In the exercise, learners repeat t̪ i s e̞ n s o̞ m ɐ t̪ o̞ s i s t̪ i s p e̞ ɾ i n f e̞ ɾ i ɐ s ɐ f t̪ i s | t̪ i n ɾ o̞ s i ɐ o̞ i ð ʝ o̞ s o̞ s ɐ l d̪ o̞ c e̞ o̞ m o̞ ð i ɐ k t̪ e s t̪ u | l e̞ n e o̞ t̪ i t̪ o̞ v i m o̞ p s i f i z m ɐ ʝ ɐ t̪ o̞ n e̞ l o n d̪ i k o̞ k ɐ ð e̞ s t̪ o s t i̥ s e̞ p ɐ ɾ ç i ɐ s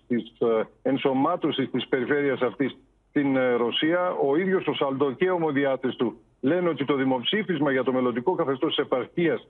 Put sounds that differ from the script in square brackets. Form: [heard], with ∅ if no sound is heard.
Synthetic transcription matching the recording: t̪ i s e̞ n s o̞ m ɐ t̪ o̞ s i s t̪ i s p e̞ ɾ i [∅] f e̞ ɾ i ɐ s ɐ f t̪ i s | t̪ i n ɾ o̞ s i ɐ o̞ i ð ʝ o̞ s o̞ s ɐ l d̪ o̞ c e̞ o̞ m o̞ ð i ɐ [∅] t̪ e s t̪ u | l e̞ n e o̞ t̪ i t̪ o̞ [ð] i m o̞ p s i f i z m ɐ ʝ ɐ t̪ o̞ [m] e̞ l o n d̪ i k o̞ k ɐ [θ] e̞ s t̪ o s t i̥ s e̞ p ɐ ɾ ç i ɐ s